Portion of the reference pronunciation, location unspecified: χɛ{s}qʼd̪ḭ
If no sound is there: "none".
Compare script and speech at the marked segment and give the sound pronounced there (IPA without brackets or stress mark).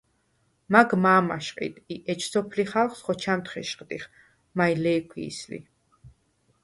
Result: ʃ